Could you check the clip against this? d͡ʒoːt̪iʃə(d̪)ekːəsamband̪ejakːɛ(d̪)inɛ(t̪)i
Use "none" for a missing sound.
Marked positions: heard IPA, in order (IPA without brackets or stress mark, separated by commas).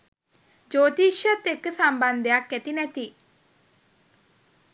t̪, t̪, t̪